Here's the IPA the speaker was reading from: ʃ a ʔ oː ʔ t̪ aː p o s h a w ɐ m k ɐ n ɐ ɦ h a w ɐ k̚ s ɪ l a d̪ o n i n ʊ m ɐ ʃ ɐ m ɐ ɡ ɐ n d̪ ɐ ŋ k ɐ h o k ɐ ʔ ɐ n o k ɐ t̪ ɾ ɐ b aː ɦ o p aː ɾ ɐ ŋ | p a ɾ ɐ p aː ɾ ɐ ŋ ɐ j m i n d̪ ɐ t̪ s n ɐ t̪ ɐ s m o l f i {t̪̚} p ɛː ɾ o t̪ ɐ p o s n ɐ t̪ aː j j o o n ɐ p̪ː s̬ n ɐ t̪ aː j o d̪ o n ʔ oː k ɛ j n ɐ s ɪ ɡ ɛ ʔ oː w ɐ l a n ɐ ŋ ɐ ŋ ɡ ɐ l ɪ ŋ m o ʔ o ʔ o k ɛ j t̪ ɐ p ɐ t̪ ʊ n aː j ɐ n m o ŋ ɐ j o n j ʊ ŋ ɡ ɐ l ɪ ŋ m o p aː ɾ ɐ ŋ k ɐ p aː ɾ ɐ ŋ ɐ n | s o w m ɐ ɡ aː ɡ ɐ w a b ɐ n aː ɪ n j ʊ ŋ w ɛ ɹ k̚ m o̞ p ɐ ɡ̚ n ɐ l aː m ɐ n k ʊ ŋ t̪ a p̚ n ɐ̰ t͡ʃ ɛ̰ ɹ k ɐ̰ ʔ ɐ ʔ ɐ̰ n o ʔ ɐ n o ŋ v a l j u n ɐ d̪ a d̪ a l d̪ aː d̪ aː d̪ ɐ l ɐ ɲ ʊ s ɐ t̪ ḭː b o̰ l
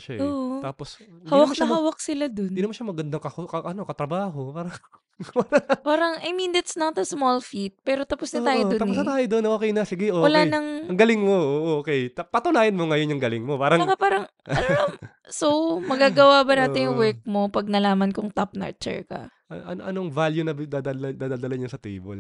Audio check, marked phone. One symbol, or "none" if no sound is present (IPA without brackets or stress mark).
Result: t̪̚